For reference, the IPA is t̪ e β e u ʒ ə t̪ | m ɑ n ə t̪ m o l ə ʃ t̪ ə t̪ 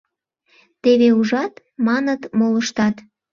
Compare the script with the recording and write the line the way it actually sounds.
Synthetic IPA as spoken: t̪ e β e u ʒ ɑ t̪ | m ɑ n ə t̪ m o l ə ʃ t̪ ɑ t̪